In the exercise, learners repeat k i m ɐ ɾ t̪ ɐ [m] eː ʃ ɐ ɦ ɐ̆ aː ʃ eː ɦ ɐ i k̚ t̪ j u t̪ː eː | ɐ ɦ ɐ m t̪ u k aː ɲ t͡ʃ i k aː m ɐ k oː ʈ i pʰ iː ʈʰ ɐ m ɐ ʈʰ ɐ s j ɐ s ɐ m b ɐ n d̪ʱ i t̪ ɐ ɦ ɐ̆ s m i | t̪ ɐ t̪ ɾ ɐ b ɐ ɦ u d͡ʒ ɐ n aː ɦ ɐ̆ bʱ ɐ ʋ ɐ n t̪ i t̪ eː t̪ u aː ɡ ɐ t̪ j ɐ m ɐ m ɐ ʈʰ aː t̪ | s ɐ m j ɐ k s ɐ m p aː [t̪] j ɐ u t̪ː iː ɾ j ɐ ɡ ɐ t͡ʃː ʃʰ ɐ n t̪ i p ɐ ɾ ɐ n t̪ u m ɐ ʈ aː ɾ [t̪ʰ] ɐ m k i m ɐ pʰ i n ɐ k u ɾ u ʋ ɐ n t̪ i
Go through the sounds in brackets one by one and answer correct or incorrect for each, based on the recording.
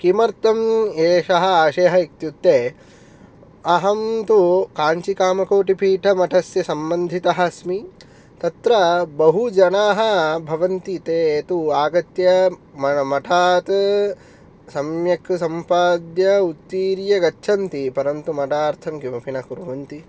correct, incorrect: d̪, correct

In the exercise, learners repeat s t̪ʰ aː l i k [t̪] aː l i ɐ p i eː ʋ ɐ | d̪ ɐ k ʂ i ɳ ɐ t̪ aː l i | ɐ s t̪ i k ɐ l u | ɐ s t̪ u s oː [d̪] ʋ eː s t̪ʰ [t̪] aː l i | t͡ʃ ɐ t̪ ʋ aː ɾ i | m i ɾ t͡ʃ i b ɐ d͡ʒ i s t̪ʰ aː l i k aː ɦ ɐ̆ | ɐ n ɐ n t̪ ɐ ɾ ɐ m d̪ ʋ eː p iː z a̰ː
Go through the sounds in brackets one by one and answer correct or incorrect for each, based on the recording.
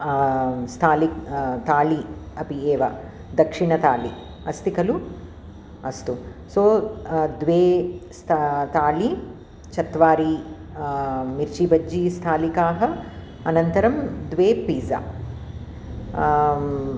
correct, correct, correct

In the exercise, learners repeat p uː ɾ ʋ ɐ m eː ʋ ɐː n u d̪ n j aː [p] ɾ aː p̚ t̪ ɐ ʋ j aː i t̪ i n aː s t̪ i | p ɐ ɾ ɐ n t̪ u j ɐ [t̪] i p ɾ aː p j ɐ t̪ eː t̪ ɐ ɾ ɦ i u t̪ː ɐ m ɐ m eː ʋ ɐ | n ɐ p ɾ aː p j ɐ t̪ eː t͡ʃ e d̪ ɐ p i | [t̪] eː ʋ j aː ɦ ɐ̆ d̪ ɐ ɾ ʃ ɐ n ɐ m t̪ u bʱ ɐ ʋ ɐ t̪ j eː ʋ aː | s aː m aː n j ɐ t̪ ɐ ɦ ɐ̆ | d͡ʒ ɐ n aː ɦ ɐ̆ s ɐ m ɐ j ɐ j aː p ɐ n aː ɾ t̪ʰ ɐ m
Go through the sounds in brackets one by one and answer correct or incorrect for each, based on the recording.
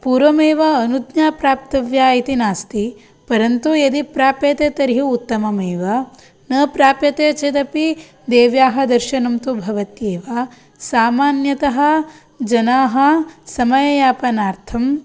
correct, incorrect: d̪, incorrect: d̪

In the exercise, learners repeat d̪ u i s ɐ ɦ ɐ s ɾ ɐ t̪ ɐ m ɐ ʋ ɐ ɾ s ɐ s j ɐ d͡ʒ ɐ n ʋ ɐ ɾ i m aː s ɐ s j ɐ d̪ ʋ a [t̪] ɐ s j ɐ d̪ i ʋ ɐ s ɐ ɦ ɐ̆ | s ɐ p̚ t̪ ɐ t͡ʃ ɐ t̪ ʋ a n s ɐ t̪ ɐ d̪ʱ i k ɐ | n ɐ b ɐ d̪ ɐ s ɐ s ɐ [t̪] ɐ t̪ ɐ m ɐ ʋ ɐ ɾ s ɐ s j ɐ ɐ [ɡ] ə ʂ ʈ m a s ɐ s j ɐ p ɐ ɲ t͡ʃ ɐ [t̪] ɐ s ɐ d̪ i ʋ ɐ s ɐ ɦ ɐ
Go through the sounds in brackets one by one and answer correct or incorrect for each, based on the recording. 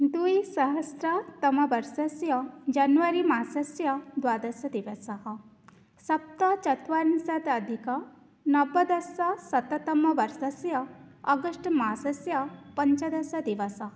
incorrect: d̪, correct, correct, incorrect: d̪

